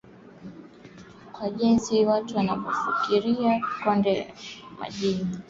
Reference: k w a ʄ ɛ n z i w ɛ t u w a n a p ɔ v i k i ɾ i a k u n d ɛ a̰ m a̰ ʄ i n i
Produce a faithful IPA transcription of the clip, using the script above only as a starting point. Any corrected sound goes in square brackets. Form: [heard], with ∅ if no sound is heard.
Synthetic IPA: k w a ʄ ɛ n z i w [a] t u w a n a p ɔ [f] i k i ɾ i a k [ɔ] n d ɛ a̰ m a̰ ʄ i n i